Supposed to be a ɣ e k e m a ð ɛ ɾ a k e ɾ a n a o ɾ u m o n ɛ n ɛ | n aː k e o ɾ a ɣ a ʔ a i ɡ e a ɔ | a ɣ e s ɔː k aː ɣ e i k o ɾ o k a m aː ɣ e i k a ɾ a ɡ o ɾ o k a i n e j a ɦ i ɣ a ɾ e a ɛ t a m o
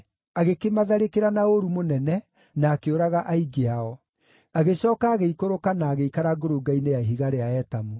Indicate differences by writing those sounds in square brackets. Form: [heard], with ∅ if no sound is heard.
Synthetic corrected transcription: a ɣ e k e m a ð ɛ ɾ [e] k e ɾ a n a o ɾ u m o n ɛ n ɛ | n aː k e o ɾ a ɣ a ʔ a i ɡ e a ɔ | a ɣ e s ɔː k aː ɣ e i k o ɾ o k a [n] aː ɣ e i k a ɾ a ɡ o ɾ o [ɡ] a i n e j a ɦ i ɣ a ɾ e a ɛ t a m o